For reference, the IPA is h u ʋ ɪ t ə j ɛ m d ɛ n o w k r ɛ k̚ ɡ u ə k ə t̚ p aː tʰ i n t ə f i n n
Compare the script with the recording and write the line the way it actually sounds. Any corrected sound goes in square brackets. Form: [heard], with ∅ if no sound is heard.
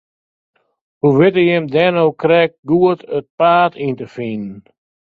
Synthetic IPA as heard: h u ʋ ɪ t ə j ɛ m d ɛ n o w k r ɛ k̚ ɡ u ə [t] ə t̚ p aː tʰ i n t ə f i n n